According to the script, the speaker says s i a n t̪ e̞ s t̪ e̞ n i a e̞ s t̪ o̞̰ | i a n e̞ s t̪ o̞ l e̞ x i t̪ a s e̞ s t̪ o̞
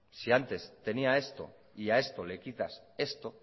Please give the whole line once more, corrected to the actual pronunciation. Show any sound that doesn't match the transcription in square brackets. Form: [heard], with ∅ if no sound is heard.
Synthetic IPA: s i a n t̪ e̞ s t̪ e̞ n i a e̞ s t̪ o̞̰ | i a [∅] e̞ s t̪ o̞ l e̞ [k] i t̪ a s e̞ s t̪ o̞